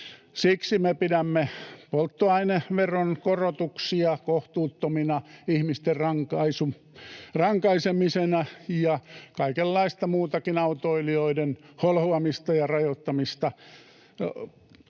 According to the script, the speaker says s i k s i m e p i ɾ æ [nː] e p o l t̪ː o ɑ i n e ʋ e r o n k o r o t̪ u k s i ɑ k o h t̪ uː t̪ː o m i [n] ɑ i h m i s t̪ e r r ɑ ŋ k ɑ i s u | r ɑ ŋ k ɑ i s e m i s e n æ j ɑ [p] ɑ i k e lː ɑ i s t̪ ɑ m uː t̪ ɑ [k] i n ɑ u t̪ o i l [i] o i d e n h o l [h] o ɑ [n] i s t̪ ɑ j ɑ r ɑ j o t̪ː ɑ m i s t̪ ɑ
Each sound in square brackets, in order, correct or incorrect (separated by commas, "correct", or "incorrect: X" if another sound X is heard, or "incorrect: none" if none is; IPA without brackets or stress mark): incorrect: mː, correct, incorrect: k, correct, correct, correct, incorrect: m